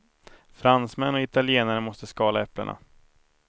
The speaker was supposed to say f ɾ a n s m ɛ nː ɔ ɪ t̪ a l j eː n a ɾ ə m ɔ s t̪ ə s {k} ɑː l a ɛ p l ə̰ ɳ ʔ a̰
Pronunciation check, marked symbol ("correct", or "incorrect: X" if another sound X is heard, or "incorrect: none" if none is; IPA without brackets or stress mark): correct